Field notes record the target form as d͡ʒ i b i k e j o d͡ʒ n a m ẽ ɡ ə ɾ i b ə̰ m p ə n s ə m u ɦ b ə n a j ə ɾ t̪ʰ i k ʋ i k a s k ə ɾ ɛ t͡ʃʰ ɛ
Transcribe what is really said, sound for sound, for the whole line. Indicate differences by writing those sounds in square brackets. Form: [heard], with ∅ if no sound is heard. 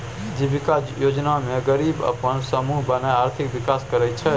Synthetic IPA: d͡ʒ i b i k [a] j o d͡ʒ n a m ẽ ɡ ə ɾ i b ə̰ [∅] p ə n s ə m u ɦ b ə n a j [a] ɾ t̪ʰ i k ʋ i k a s k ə ɾ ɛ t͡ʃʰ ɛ